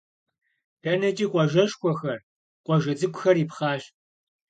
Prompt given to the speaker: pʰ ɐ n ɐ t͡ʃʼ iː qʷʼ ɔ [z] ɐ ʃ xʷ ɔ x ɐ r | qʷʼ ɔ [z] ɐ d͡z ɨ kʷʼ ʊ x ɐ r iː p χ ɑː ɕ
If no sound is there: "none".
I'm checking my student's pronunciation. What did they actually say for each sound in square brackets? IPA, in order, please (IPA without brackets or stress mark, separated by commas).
ʒ, ʒ